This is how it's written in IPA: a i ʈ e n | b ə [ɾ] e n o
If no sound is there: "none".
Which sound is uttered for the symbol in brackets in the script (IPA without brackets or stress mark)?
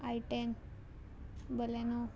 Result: l